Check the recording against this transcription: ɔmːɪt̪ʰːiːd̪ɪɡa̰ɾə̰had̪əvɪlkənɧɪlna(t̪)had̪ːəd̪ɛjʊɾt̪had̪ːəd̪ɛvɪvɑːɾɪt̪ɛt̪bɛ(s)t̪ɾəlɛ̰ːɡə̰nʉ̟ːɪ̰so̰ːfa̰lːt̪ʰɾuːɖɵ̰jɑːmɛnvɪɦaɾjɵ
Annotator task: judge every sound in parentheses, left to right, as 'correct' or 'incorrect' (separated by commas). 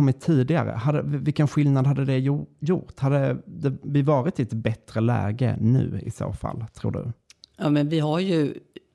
incorrect, incorrect